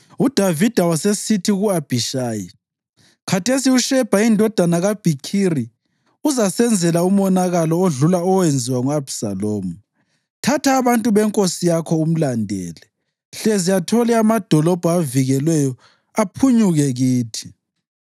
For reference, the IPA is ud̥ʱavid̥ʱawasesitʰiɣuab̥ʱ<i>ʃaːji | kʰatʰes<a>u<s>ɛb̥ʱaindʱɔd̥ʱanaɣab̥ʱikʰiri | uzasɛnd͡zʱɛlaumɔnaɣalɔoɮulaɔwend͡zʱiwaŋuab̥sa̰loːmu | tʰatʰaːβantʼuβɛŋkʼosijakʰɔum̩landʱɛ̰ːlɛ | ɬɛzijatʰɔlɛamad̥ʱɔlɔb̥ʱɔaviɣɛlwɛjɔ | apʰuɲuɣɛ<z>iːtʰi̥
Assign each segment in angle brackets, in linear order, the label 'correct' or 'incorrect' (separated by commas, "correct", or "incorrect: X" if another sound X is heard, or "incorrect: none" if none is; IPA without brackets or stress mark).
correct, incorrect: i, incorrect: ʃ, incorrect: ɣ